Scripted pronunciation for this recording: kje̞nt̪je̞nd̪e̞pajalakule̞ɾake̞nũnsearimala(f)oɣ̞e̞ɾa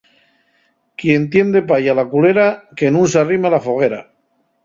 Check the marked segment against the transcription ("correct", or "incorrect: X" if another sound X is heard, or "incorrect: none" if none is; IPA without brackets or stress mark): correct